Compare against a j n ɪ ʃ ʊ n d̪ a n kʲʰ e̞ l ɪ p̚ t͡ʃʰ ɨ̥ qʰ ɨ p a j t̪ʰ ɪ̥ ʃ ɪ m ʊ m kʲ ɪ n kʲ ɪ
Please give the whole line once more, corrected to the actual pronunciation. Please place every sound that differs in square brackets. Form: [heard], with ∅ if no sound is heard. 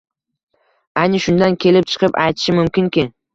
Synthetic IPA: a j n ɪ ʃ ʊ n d̪ a n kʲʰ e̞ l ɪ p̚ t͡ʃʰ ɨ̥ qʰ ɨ p a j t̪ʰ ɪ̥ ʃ ɪ m ʊ m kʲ ɪ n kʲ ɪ